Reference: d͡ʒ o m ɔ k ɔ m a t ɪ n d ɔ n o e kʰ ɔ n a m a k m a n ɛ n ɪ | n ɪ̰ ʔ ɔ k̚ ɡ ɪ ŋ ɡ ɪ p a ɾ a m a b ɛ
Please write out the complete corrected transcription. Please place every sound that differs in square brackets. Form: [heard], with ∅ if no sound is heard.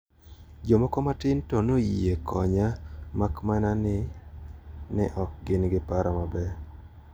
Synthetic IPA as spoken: d͡ʒ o m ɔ k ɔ m a t ɪ n [t] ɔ n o e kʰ ɔ [ɲ] a m a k m a n [a] n ɪ | n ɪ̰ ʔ ɔ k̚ ɡ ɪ [n] ɡ ɪ p a ɾ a m a b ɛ